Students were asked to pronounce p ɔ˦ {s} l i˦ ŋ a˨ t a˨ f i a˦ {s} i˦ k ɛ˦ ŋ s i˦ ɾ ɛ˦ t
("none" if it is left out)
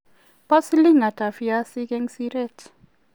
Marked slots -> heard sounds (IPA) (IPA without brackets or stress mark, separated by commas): s, s